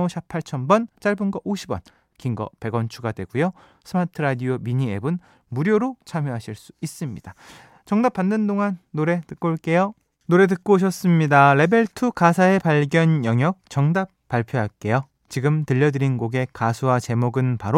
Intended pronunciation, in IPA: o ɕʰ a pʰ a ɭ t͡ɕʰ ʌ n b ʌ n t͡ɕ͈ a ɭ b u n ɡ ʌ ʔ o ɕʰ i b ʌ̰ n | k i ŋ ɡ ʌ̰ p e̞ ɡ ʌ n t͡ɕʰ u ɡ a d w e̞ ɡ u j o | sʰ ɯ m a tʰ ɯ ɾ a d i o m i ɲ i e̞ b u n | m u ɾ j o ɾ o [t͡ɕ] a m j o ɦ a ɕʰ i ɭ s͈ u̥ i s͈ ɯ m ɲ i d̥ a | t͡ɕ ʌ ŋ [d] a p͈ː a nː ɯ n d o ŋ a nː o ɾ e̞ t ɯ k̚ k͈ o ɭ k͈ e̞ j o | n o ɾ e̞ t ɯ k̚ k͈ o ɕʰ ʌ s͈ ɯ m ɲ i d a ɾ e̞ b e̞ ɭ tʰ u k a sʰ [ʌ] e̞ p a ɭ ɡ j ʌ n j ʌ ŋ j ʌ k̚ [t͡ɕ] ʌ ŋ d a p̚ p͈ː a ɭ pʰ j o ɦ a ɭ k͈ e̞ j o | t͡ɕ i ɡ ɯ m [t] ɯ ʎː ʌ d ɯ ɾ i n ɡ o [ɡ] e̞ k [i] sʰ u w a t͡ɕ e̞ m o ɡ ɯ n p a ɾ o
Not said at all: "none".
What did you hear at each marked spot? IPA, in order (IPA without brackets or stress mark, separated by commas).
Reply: t͡ɕʰ, d, a, t͡ɕ, t, ɡ, a